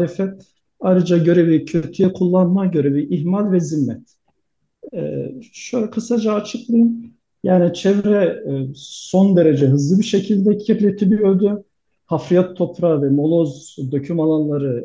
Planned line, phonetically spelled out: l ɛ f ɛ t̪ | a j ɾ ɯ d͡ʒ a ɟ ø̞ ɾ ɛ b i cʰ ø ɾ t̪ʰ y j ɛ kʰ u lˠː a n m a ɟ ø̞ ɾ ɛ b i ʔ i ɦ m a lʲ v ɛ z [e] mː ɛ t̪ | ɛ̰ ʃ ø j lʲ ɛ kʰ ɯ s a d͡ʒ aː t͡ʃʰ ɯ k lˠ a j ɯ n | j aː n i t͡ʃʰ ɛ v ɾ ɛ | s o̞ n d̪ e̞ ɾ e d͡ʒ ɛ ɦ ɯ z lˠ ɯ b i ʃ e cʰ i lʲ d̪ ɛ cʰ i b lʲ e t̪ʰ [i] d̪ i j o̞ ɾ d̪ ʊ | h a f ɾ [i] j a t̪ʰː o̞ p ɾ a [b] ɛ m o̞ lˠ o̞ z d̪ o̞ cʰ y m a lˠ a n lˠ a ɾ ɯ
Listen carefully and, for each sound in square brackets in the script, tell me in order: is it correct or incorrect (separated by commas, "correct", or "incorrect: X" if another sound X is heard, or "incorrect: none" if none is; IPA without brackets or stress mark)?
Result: incorrect: i, correct, correct, incorrect: v